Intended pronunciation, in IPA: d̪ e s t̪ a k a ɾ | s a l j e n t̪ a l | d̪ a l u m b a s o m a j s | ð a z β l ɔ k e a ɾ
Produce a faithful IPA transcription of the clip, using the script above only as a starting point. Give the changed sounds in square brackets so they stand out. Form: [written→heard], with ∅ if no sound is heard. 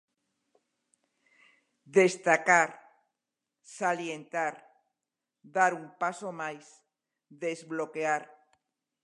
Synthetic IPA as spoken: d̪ e s t̪ a k a ɾ | s a l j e n t̪ a [l→ɾ] | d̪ a [l→ɾ] u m [b→p] a s o m a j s | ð [a→e] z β l [ɔ→o] k e a ɾ